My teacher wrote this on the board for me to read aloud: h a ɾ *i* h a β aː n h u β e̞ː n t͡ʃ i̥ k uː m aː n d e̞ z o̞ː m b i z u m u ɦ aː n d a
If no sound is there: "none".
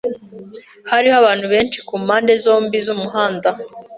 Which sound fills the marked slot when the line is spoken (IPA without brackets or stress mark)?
i